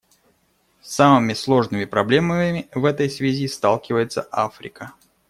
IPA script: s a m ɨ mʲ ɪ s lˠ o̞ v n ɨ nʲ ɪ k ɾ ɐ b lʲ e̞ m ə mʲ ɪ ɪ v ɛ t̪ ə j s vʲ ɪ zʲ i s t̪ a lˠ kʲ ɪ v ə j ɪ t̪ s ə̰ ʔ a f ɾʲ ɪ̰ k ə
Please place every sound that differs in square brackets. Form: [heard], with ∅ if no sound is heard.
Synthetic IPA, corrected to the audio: s a m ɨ mʲ ɪ s lˠ o̞ [ʐ] n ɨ [mʲ] ɪ [p] ɾ ɐ b lʲ e̞ m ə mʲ ɪ ɪ v ɛ t̪ ə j s vʲ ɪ zʲ i s t̪ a lˠ kʲ ɪ v ə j ɪ t̪ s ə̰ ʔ a f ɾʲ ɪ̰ k ə